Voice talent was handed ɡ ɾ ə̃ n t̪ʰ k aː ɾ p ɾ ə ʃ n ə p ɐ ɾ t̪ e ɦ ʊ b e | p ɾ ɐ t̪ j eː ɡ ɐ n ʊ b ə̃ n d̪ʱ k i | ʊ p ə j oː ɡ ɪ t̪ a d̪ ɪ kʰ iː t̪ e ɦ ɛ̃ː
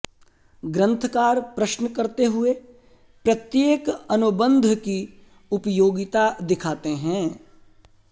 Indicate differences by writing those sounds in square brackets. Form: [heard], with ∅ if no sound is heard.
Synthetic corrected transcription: ɡ ɾ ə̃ n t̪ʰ k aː ɾ p ɾ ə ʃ n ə [k] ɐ ɾ t̪ e ɦ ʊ [∅] e | p ɾ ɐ t̪ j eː [k] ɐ n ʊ b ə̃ n d̪ʱ k i | ʊ p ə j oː ɡ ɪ t̪ a d̪ ɪ kʰ [aː] t̪ e ɦ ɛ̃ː